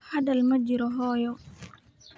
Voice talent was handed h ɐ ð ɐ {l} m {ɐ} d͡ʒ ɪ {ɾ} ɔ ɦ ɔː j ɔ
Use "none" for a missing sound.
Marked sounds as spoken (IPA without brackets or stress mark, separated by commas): l, ɐ, ɾ